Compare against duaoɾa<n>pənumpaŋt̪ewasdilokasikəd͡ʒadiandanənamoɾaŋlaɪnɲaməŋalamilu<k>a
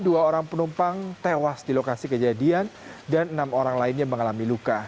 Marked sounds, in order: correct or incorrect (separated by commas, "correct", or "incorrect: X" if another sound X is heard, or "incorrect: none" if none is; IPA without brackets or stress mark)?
incorrect: ŋ, correct